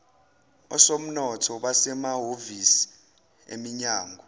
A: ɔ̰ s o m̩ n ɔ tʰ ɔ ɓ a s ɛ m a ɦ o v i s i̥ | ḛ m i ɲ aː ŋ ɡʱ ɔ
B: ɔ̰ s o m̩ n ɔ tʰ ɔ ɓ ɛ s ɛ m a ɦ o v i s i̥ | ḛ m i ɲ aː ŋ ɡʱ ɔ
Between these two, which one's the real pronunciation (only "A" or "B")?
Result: A